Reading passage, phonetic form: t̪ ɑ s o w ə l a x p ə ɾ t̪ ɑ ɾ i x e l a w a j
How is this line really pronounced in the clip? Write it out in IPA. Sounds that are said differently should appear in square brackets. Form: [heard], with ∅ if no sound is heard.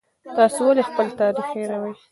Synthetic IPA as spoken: t̪ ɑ s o w [a] l [e] x p ə [l] t̪ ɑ ɾ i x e [ɾ] a w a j